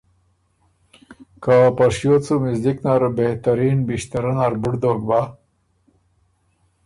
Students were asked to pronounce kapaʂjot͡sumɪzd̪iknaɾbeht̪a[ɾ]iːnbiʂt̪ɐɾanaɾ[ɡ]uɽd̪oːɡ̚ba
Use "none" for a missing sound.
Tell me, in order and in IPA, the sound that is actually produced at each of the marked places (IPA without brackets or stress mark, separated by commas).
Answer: ɾ, b